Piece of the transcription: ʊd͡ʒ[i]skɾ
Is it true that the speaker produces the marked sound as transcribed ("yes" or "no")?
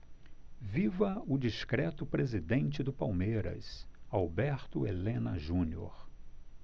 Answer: yes